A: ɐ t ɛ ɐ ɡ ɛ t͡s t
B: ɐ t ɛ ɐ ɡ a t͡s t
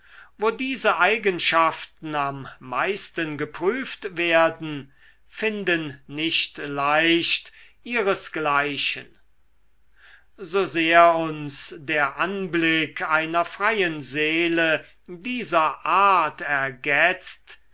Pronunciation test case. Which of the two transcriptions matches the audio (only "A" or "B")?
A